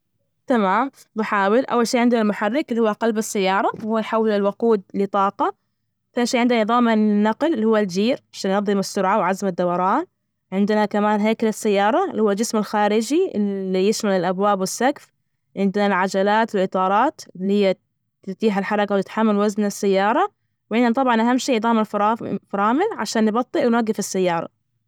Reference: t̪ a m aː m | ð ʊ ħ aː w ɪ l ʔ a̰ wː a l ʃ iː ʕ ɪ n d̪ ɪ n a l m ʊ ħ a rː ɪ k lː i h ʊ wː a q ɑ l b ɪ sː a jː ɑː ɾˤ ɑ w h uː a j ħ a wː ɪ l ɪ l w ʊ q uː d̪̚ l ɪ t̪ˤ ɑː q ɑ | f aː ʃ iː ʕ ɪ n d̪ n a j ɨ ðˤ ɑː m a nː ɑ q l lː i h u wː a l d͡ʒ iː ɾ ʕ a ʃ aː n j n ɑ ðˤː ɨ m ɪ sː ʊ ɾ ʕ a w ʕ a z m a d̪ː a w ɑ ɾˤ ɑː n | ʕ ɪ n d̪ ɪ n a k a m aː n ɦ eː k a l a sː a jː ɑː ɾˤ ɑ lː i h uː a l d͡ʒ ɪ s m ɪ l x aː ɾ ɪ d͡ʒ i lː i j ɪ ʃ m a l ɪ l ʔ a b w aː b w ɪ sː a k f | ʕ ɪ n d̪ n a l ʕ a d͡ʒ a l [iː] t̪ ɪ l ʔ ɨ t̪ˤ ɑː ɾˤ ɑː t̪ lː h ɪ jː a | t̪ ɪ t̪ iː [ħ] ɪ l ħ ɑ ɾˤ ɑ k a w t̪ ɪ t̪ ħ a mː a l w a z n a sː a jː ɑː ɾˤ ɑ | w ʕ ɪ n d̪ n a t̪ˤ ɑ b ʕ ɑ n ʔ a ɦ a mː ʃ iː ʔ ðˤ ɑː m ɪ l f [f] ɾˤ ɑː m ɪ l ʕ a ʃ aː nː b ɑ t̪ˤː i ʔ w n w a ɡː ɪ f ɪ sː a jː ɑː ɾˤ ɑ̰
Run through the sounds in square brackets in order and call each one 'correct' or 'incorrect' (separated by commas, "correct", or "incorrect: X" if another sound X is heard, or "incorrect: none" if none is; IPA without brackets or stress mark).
incorrect: aː, correct, correct